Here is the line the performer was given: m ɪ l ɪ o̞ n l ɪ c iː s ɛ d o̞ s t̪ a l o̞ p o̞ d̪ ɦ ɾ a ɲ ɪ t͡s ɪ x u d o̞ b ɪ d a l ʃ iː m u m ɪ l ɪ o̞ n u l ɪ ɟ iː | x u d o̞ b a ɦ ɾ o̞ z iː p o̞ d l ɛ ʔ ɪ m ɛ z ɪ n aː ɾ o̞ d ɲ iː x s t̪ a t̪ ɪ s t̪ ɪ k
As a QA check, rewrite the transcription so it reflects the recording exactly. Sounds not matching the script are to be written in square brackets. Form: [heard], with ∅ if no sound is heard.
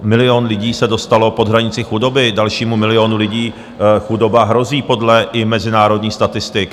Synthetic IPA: m ɪ l ɪ o̞ n l ɪ [ɟ] iː s ɛ d o̞ s t̪ a l o̞ p o̞ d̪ ɦ ɾ a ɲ ɪ t͡s ɪ x u d o̞ b ɪ d a l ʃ iː m u m ɪ l ɪ o̞ n u l ɪ ɟ iː | x u d o̞ b a ɦ ɾ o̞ z iː p o̞ d l ɛ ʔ ɪ m ɛ z ɪ n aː ɾ o̞ d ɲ iː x s t̪ a t̪ ɪ s t̪ ɪ k